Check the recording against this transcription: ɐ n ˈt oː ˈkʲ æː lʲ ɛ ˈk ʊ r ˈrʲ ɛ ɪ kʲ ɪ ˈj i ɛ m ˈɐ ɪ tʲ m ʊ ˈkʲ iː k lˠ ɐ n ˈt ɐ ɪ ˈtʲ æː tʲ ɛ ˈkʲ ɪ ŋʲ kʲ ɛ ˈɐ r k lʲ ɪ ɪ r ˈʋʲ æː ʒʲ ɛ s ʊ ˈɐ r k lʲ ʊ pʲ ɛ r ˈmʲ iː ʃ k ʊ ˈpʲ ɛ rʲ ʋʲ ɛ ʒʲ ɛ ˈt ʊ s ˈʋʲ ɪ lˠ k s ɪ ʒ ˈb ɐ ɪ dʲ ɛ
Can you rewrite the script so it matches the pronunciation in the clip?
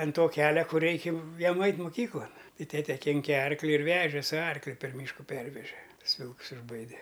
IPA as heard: ɐ n ˈt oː ˈkʲ æː lʲ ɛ ˈk ʊ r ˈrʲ ɛ ɪ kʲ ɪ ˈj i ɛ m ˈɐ ɪ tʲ m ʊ ˈkʲ iː k lˠ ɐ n ˈt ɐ ɪ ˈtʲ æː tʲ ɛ ˈkʲ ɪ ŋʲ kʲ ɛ ˈɐ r k lʲ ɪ ɪ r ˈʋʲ æː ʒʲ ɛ s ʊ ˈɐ r k lʲ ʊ pʲ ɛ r ˈmʲ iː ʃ k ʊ ˈpʲ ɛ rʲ ʋʲ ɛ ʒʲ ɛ ˈt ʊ s ˈʋʲ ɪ lˠ k s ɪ ʒ ˈb ɐ ɪ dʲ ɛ